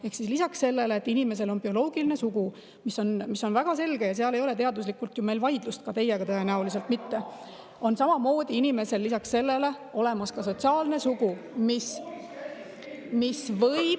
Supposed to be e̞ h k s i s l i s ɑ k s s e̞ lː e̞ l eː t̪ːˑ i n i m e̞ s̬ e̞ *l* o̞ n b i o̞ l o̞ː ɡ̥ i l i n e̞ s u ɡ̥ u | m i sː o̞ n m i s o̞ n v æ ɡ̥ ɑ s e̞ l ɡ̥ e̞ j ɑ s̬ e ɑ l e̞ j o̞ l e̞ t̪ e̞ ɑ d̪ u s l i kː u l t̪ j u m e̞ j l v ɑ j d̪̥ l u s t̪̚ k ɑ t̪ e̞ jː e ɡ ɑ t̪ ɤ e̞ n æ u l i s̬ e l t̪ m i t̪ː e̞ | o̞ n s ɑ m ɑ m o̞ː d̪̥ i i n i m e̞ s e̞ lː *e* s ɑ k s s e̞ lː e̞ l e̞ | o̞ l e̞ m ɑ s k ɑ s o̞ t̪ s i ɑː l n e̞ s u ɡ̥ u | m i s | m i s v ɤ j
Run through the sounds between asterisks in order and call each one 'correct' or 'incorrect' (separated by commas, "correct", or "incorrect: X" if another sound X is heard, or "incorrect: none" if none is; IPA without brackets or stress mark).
correct, incorrect: i